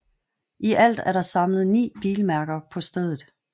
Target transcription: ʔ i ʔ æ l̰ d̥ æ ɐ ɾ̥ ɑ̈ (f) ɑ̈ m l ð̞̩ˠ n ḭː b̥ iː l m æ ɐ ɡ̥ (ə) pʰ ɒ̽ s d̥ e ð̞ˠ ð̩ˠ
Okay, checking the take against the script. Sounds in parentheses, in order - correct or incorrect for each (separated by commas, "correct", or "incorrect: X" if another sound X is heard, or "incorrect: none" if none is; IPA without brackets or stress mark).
incorrect: s, incorrect: ɐ